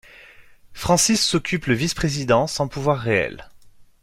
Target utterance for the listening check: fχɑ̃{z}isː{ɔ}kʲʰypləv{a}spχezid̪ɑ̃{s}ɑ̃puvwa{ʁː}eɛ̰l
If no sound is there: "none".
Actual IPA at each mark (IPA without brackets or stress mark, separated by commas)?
s, ɔ, i, s, ʁː